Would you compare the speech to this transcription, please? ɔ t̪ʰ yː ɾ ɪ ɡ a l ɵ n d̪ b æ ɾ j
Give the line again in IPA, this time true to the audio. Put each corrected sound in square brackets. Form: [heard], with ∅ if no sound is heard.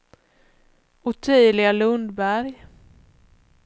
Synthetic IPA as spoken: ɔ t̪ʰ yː [l] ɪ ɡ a l ɵ n d̪ b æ ɾ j